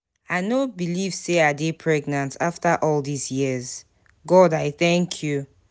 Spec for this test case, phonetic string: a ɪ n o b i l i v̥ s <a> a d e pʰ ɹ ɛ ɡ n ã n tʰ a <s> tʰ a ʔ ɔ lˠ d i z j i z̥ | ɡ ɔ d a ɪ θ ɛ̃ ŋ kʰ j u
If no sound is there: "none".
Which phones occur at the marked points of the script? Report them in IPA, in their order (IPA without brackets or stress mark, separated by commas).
e, f